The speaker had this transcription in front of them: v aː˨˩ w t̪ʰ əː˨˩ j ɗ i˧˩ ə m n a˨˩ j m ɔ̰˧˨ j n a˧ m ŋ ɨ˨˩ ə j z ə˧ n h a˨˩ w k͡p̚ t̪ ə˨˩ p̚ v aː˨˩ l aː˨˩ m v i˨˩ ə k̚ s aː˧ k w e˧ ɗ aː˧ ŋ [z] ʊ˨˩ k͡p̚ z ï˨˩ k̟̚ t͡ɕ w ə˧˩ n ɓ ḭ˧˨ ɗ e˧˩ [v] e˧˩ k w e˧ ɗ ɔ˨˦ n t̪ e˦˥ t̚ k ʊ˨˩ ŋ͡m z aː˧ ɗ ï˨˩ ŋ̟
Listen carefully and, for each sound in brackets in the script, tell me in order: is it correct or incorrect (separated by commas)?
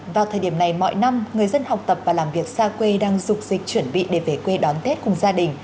correct, correct